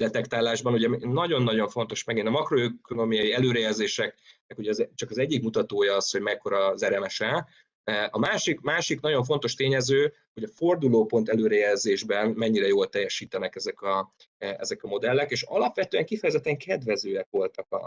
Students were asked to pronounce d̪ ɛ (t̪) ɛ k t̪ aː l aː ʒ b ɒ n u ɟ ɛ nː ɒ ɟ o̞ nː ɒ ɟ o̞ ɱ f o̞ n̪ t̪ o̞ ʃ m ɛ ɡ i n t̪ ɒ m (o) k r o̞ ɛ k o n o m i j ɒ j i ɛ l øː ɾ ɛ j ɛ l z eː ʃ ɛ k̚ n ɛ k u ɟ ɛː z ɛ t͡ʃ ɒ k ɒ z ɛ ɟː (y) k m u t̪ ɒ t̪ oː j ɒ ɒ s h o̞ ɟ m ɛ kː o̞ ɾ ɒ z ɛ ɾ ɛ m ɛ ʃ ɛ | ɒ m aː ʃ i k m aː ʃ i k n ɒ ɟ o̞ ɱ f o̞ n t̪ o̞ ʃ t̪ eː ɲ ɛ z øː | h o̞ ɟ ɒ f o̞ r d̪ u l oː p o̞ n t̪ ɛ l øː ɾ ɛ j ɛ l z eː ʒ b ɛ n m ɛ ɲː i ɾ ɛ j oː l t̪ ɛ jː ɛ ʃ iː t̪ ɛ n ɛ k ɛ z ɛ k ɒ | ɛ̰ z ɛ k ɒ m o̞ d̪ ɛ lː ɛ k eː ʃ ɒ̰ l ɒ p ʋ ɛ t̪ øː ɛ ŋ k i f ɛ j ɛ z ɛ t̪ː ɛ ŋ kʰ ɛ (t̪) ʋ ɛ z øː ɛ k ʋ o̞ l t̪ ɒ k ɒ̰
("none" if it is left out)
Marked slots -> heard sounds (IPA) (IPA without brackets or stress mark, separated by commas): t̪, ɒ, i, d̪